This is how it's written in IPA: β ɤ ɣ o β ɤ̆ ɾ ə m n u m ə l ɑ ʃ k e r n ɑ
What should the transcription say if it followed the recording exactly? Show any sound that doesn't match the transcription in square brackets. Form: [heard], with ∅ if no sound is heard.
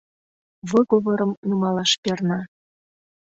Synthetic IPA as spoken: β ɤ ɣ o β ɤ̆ ɾ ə m n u m [ɑ] l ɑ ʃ [p] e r n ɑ

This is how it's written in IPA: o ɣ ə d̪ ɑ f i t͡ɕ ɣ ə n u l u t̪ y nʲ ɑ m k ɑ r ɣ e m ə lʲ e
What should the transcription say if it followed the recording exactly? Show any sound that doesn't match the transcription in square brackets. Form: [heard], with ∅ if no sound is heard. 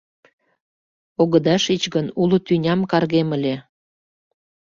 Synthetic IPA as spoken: o ɣ ə d̪ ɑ [ʃ] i t͡ɕ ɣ ə n u l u t̪ y nʲ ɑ m k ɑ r ɣ e m ə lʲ e

